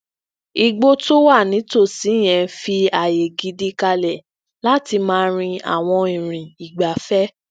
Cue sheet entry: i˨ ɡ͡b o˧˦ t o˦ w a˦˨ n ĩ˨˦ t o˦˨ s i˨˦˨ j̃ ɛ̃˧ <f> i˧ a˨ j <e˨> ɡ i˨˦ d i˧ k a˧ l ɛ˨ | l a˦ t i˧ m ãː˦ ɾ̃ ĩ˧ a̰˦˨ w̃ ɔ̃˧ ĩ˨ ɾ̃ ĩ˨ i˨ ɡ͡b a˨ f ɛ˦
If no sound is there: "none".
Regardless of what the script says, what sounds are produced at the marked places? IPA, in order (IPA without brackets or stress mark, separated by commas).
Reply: f, e˨